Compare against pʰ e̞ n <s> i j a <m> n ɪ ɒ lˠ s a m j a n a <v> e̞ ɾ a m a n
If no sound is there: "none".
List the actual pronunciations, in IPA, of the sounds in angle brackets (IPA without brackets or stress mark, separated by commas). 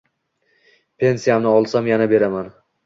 s, m, b